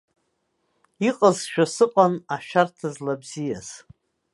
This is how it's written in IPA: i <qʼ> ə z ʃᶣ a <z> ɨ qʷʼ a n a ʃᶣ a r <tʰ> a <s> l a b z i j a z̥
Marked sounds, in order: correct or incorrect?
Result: correct, incorrect: s, correct, incorrect: z

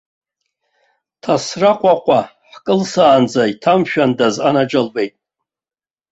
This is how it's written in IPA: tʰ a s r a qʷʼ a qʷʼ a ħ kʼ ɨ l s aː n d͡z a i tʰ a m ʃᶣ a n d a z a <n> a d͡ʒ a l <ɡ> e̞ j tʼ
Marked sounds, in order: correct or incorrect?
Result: correct, incorrect: b

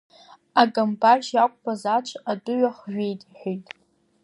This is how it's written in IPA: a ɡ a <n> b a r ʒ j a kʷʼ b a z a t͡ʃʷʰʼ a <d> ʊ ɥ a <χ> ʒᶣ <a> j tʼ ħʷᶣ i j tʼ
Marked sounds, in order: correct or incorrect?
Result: incorrect: m, correct, correct, incorrect: e

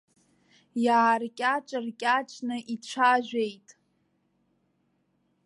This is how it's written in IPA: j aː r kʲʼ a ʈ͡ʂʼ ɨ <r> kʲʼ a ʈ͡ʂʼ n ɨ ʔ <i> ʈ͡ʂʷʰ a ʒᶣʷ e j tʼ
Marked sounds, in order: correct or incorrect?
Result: correct, correct

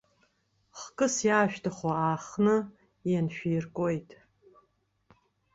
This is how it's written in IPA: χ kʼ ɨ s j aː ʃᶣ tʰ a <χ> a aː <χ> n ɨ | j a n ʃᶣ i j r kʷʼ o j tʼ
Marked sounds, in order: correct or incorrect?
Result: correct, correct

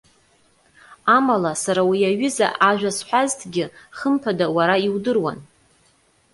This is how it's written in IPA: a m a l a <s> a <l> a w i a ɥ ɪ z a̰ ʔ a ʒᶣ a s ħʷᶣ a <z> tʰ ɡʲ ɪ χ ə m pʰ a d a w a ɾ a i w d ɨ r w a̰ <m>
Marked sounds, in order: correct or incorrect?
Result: correct, incorrect: ɾ, correct, incorrect: n

